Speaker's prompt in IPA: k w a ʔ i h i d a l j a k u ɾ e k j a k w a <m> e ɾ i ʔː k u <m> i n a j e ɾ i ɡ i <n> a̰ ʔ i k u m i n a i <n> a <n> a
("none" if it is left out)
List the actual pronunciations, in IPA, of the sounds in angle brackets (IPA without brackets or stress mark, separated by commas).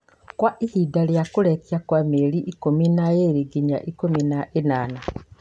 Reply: m, m, ɲ, n, n